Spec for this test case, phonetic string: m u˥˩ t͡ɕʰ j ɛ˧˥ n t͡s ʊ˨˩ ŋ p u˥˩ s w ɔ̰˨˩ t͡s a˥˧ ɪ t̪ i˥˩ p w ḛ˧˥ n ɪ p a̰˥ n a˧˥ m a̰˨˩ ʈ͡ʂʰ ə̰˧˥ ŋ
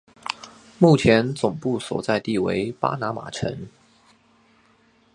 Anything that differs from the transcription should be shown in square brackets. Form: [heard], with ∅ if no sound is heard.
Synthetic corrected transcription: m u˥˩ t͡ɕʰ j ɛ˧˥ n t͡s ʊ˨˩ ŋ p u˥˩ s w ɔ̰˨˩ t͡s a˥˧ ɪ t̪ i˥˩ [∅] w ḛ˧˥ [∅] ɪ p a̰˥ n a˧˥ m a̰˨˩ ʈ͡ʂʰ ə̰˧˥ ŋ